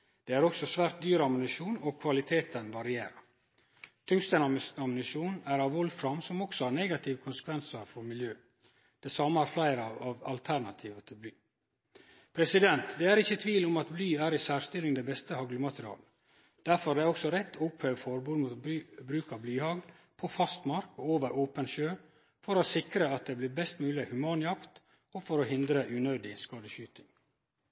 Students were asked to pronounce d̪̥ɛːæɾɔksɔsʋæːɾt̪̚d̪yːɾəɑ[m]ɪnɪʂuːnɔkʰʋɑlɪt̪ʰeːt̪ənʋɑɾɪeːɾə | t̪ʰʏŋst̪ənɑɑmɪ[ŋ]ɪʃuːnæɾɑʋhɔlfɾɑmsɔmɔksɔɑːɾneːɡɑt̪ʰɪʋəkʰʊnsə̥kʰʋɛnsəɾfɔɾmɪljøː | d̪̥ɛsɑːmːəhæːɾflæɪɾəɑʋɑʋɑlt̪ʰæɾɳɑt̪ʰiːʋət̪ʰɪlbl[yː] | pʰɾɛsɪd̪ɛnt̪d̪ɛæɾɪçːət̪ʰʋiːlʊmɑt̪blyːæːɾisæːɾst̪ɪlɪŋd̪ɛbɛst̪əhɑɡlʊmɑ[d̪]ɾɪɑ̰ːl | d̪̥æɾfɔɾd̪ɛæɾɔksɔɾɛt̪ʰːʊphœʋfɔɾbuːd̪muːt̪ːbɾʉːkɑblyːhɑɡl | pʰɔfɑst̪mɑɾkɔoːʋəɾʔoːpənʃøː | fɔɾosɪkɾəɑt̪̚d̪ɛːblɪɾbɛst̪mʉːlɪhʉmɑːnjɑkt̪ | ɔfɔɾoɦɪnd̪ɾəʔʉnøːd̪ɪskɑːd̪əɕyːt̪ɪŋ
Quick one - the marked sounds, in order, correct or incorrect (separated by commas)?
correct, incorrect, correct, incorrect